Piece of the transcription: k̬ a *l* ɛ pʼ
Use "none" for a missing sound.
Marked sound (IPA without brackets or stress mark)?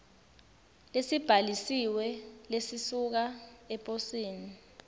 none